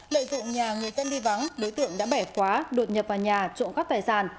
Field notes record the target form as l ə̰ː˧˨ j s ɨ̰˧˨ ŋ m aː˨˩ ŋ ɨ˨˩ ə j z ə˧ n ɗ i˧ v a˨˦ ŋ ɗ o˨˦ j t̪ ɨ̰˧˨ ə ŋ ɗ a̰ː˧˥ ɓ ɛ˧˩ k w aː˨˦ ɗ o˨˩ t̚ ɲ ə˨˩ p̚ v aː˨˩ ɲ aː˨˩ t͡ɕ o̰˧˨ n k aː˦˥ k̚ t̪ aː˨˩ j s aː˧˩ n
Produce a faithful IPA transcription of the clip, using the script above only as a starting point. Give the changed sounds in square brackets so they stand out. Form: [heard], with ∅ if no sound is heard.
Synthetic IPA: l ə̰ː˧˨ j [z] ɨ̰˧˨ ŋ [ɲ] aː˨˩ ŋ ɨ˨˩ ə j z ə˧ n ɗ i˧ v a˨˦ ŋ ɗ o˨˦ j t̪ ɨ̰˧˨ ə ŋ ɗ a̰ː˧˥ ɓ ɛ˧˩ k w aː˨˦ ɗ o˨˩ t̚ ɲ ə˨˩ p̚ v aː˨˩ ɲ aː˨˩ t͡ɕ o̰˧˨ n k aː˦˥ k̚ t̪ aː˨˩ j s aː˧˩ n